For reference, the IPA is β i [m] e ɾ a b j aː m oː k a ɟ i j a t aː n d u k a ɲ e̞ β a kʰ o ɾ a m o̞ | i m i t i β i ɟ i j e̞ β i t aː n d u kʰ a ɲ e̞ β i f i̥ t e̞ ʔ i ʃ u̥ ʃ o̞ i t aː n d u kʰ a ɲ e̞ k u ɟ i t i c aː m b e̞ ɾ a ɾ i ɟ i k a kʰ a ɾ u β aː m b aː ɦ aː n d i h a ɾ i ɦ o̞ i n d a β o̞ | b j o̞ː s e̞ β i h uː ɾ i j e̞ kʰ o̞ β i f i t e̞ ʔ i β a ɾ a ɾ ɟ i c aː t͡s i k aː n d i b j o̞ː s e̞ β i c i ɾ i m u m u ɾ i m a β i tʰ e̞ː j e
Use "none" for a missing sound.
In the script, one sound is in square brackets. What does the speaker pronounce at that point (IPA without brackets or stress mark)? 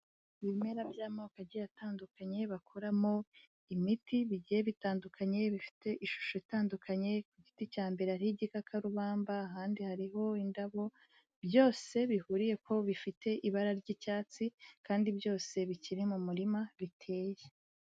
m